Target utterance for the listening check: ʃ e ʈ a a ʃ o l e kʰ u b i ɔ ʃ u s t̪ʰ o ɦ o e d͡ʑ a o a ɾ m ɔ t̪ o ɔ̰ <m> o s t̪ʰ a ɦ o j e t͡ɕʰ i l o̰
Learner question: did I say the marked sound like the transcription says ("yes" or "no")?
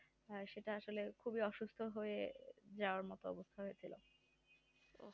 no